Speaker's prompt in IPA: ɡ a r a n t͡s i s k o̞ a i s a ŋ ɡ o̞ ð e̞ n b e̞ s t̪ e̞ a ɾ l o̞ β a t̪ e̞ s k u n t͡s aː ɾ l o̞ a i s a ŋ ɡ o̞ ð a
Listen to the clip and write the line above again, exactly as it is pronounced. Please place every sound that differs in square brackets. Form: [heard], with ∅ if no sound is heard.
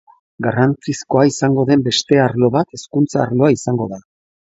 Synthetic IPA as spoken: ɡ a r a n t͡s i s k o̞ a i s a ŋ ɡ o̞ ð e̞ [m] b e̞ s t̪ e̞ a ɾ l o̞ β a t̪ e̞ s k u n t͡s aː ɾ l o̞ a i s a ŋ ɡ o̞ ð a